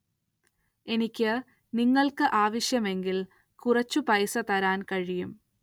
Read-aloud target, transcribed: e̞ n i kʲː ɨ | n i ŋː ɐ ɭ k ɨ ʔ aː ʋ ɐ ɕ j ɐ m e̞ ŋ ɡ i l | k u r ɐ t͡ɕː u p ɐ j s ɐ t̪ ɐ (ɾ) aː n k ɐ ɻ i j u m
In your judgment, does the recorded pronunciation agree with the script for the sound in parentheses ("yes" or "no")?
yes